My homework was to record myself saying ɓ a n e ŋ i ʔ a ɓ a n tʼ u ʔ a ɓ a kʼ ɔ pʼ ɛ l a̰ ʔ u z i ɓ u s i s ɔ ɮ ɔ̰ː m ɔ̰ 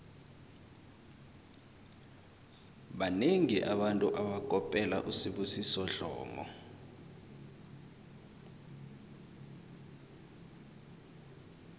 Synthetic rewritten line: ɓ a n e ŋ i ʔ a ɓ a n tʼ u ʔ a ɓ a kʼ ɔ pʼ ɛ l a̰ ʔ u s i ɓ u s i s ɔ ɮ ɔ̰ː m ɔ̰